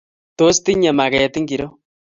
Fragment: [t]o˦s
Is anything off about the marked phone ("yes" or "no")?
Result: no